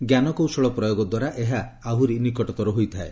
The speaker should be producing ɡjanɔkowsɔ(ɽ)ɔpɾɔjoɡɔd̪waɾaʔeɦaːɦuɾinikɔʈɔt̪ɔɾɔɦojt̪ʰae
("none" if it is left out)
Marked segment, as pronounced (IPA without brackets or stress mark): ɭ